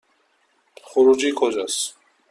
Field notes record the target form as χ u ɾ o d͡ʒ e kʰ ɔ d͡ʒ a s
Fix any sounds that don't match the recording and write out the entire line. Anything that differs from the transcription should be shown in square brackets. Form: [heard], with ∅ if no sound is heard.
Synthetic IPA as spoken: χ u ɾ [u] d͡ʒ [i] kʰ ɔ d͡ʒ a s

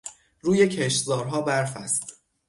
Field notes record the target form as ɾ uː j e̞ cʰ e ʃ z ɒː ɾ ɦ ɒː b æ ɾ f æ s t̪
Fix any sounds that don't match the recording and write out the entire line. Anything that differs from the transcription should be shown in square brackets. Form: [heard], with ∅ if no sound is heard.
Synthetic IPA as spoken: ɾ uː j e̞ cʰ e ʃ z ɒː ɾ ɦ ɒː b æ ɾ f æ s t̪

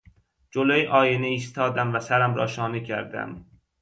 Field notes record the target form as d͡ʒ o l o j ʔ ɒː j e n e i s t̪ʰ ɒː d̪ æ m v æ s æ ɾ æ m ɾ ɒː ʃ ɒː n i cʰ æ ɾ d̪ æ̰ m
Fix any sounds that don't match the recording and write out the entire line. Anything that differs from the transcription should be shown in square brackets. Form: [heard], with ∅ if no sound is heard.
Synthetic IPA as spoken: d͡ʒ o l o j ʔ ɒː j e n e i s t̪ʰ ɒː d̪ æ m v æ s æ ɾ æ m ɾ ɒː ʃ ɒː n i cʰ æ ɾ d̪ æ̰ m

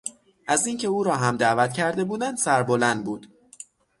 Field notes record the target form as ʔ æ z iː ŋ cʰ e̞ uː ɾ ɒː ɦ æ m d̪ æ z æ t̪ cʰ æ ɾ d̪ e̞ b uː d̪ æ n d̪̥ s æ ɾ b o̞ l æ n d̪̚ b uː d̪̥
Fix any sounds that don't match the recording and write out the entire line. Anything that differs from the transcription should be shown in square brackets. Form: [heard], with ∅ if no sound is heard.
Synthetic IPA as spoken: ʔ æ z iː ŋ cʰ e̞ uː ɾ ɒː ɦ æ m d̪ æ [v] æ t̪ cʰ æ ɾ d̪ e̞ b uː d̪ æ n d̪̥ s æ ɾ b o̞ l æ n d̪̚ b uː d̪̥

